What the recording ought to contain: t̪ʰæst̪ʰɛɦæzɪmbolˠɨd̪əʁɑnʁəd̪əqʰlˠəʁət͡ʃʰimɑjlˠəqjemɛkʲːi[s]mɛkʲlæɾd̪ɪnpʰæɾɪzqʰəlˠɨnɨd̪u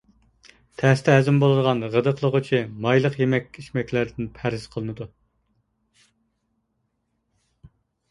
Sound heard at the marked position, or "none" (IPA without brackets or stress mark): ʃ